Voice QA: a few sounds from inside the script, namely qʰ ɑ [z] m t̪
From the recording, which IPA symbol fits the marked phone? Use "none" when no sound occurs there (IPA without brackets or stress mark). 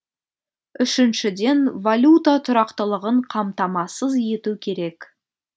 none